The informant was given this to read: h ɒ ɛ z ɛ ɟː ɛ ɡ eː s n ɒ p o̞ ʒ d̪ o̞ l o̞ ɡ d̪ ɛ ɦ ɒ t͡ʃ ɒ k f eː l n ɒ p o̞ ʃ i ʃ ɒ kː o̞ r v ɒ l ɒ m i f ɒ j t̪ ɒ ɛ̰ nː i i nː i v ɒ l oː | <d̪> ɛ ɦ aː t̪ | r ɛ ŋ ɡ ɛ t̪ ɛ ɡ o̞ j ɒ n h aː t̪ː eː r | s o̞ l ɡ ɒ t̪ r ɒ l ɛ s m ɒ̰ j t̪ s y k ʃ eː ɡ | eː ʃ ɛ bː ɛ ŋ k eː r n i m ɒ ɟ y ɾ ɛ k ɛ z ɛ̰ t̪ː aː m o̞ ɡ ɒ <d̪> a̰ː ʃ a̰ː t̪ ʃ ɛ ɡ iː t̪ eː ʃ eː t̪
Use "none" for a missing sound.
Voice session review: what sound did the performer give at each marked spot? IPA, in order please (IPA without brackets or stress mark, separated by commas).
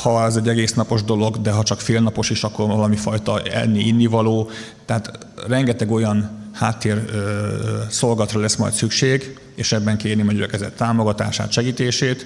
t̪, t̪